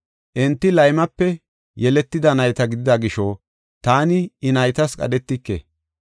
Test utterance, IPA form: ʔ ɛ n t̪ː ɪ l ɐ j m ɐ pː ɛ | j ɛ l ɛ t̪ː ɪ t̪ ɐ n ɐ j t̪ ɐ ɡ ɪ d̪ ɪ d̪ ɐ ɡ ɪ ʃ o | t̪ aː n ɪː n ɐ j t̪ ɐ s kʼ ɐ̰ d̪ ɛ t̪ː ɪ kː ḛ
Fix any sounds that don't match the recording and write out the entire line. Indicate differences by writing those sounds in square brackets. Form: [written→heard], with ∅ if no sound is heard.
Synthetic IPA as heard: ʔ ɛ n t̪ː ɪ l ɐ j m ɐ pː ɛ | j ɛ l ɛ t̪ː ɪ [t̪→d̪] ɐ n ɐ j t̪ ɐ ɡ ɪ d̪ ɪ d̪ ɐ ɡ ɪ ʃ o | t̪ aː n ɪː n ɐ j t̪ ɐ s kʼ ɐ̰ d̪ ɛ t̪ː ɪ kː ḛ